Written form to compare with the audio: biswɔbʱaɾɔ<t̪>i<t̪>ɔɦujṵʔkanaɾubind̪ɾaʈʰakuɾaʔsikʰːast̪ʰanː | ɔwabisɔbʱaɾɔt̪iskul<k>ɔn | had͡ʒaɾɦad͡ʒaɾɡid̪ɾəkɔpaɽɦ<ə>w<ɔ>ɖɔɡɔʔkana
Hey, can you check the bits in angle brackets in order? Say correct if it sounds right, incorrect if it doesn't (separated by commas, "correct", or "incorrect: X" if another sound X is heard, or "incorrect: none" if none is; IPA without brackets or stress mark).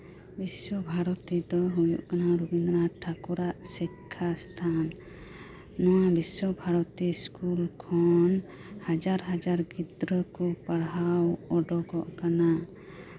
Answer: correct, incorrect: d̪, incorrect: kʰ, incorrect: a, correct